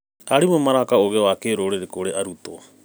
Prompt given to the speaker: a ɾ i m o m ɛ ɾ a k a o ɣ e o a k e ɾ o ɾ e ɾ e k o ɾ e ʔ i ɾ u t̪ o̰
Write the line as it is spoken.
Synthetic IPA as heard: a ɾ i m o m a ɾ a k a o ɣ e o a k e ɾ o ɾ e ɾ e k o ɾ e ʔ a ɾ u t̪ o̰